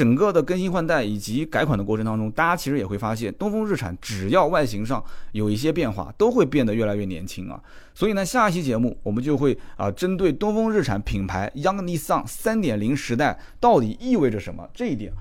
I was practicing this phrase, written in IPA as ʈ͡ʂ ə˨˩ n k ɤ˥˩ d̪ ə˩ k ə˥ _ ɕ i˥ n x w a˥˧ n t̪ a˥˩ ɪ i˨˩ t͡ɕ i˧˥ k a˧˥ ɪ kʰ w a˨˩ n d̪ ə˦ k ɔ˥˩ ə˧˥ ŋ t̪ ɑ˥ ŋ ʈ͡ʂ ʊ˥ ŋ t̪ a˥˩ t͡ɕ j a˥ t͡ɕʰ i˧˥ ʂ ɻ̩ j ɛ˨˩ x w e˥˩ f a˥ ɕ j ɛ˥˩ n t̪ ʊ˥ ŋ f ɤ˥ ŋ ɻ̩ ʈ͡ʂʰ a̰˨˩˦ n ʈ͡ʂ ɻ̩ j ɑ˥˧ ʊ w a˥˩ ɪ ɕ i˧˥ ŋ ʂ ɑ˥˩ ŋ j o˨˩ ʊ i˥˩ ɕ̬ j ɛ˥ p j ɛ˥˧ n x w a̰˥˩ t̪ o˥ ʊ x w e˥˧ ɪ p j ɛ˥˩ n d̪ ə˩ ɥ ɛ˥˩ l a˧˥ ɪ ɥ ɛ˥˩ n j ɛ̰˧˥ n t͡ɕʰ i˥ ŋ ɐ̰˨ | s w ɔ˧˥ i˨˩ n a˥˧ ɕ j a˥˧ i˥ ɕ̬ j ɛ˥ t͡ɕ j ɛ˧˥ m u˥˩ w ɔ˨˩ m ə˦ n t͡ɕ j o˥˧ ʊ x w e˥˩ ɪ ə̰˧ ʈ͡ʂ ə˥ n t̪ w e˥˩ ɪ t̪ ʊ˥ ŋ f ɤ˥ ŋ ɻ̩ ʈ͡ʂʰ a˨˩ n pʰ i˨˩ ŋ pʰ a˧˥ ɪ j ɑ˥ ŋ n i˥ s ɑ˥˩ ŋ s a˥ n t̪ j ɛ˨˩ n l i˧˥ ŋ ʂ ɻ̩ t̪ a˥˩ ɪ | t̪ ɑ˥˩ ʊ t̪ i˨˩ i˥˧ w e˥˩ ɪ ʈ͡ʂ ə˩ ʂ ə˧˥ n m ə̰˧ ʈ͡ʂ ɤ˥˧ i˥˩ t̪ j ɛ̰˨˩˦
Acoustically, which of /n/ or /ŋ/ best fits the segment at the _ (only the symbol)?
n